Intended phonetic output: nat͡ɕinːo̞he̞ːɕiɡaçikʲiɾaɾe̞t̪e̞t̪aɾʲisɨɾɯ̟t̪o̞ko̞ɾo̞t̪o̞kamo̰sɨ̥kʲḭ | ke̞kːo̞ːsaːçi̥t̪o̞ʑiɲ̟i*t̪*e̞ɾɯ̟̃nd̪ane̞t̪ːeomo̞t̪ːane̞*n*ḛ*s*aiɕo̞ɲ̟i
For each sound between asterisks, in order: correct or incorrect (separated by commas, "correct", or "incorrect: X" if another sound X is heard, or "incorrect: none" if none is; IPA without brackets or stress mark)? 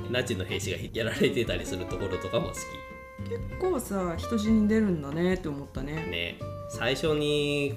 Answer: incorrect: d̪, correct, correct